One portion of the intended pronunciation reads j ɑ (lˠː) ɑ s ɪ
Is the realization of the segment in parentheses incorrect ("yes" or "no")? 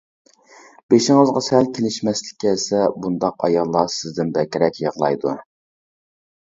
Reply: no